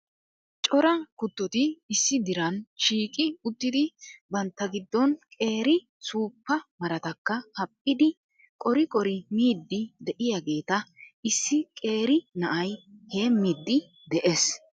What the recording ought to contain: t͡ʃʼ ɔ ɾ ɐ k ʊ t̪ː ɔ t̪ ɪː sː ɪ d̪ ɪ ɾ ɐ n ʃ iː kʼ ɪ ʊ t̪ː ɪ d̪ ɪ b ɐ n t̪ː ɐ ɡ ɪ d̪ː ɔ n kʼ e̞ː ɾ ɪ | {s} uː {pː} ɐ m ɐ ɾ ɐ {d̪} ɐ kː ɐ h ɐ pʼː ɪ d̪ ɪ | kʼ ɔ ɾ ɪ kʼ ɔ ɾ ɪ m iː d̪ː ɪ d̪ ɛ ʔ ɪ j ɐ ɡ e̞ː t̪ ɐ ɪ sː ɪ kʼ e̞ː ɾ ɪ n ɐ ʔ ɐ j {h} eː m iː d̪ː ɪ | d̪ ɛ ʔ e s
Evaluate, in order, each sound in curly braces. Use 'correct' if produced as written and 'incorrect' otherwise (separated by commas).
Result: correct, correct, incorrect, correct